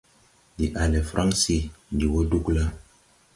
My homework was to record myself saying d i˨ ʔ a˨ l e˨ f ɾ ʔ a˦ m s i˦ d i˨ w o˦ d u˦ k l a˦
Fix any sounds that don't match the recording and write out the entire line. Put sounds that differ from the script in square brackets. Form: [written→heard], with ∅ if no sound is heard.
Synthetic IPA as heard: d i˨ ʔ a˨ l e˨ f ɾ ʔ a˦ [m→ŋ] s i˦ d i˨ w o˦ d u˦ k l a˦